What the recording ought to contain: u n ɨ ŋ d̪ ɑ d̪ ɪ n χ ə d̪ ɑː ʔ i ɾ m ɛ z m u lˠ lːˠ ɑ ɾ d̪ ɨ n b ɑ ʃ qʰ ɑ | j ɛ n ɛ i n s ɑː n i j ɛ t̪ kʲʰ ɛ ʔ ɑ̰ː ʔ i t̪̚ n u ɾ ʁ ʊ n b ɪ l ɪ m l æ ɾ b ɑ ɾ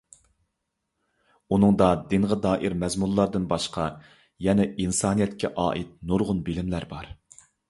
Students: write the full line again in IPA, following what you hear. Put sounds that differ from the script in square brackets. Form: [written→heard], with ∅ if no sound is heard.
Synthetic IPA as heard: u n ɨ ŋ d̪ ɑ d̪ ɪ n [χ→ʁ] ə d̪ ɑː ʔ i ɾ m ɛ z m u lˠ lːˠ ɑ ɾ d̪ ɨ n b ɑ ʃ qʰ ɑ | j ɛ n ɛ i n s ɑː n i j ɛ t̪ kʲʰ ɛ ʔ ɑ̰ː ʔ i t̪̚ n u ɾ ʁ ʊ n b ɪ l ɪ m l æ ɾ b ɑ ɾ